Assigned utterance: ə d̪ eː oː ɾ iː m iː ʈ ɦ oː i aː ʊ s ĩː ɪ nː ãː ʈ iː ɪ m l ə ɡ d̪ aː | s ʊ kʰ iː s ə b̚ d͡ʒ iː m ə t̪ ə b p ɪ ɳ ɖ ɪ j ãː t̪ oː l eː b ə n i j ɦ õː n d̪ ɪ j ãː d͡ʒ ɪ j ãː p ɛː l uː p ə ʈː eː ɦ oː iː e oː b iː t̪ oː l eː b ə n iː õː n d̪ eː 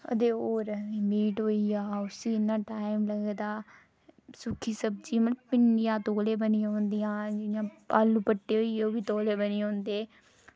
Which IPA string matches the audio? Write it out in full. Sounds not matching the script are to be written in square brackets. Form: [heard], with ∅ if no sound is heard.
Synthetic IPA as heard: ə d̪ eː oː ɾ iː m iː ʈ ɦ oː i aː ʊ s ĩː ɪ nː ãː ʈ [aː] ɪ m l ə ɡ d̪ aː | s ʊ kʰ iː s ə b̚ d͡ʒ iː m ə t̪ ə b p ɪ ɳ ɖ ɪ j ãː t̪ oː l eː b ə n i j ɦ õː n d̪ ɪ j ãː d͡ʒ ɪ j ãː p [aː] l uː p ə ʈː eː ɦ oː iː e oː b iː t̪ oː l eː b ə n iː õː n d̪ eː